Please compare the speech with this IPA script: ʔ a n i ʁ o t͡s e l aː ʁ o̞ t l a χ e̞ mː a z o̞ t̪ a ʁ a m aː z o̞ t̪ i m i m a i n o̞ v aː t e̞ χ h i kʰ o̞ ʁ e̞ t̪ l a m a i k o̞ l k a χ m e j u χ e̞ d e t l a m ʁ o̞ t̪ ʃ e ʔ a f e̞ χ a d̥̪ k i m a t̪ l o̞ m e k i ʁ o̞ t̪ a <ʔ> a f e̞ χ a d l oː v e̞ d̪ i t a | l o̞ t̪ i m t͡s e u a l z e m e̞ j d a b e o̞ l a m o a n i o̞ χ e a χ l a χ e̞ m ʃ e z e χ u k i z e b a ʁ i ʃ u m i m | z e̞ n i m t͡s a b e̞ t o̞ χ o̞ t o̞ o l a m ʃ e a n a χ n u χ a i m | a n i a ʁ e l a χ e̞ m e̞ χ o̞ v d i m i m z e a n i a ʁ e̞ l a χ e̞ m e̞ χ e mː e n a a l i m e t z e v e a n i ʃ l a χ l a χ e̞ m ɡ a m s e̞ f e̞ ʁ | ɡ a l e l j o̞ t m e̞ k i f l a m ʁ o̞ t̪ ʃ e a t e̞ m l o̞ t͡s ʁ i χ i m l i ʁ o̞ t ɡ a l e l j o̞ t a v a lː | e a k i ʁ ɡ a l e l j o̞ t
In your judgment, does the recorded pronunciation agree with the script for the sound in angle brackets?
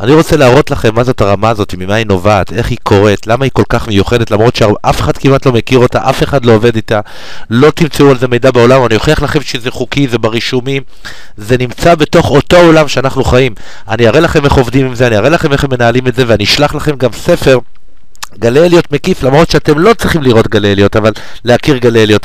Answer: yes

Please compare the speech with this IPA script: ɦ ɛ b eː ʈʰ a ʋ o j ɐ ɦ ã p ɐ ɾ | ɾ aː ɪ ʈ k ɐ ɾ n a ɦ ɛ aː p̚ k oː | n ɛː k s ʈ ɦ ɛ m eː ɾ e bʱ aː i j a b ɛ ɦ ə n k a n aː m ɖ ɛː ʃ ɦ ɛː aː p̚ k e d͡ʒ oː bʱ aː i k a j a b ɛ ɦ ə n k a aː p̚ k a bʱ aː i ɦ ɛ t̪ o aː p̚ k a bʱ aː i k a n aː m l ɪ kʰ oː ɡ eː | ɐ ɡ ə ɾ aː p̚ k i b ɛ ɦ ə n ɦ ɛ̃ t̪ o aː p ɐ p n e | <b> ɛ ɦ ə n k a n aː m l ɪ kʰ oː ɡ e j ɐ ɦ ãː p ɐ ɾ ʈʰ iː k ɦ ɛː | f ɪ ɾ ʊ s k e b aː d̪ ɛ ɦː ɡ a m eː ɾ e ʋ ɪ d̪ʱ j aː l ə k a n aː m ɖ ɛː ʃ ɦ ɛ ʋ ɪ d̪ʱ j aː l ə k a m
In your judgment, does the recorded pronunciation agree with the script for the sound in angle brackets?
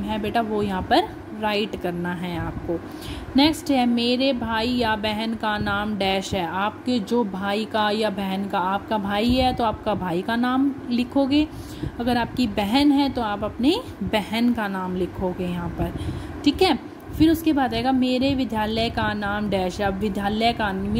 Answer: yes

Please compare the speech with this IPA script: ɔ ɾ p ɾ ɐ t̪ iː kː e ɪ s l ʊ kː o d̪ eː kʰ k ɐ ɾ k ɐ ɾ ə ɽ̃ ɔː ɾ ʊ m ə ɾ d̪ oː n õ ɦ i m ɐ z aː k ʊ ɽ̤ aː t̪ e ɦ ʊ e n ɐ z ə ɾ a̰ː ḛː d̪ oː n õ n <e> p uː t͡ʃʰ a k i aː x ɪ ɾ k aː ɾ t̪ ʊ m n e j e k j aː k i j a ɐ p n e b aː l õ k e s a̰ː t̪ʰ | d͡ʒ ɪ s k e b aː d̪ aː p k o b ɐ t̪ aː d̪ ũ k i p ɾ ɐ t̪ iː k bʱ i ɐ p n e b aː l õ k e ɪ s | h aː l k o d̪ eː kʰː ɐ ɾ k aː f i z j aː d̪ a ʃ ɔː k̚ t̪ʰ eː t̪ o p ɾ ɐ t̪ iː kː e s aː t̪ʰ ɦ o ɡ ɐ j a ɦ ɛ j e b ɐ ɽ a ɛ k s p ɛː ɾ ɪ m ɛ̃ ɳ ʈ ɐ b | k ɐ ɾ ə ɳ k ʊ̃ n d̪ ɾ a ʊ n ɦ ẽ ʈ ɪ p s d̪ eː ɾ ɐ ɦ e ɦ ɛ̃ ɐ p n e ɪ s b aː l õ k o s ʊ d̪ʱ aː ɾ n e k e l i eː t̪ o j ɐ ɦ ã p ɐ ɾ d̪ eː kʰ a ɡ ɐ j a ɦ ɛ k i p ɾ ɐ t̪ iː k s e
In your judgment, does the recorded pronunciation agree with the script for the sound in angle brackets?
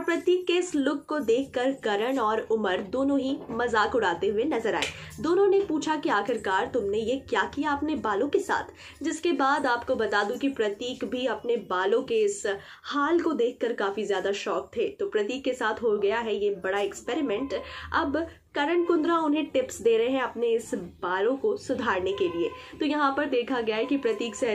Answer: yes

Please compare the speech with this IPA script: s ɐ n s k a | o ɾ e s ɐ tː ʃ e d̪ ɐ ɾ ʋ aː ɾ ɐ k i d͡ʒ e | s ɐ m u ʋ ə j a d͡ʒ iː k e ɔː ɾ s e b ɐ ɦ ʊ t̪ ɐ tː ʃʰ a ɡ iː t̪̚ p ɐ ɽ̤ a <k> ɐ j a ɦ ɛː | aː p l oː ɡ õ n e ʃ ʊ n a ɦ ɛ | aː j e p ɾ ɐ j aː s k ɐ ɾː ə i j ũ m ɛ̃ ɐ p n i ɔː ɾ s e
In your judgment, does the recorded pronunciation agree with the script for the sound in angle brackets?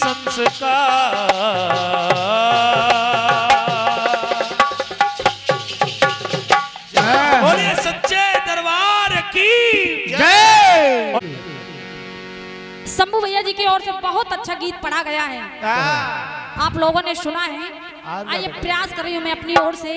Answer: no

